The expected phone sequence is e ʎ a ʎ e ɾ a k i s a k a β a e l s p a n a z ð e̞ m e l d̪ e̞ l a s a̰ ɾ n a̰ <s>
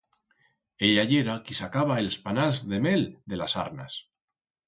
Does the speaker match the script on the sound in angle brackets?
yes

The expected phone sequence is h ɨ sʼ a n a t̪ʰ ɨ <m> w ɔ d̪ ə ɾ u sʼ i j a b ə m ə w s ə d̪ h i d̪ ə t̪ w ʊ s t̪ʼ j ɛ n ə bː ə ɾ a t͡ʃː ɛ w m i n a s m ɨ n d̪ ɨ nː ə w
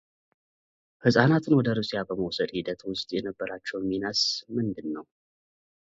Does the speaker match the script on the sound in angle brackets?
no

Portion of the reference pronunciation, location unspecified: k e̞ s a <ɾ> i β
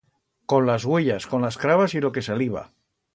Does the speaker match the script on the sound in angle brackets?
no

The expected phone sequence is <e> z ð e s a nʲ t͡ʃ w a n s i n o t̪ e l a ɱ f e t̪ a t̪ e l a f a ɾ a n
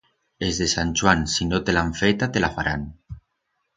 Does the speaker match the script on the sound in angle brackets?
yes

